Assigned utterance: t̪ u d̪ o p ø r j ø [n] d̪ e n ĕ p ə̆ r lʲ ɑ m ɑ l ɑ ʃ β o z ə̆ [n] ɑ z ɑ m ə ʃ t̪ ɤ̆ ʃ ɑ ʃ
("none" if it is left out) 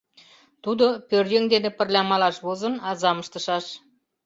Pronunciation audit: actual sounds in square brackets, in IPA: ŋ, n

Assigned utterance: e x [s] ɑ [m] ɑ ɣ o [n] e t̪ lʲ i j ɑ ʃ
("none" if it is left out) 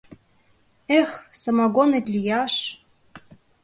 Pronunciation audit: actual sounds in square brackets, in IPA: s, m, n

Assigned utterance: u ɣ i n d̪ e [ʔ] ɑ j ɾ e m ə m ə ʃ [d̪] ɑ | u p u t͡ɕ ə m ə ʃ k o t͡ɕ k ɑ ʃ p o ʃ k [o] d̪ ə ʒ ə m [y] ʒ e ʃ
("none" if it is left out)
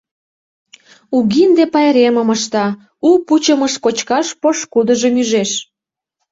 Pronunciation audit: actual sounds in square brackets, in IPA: p, t̪, u, y

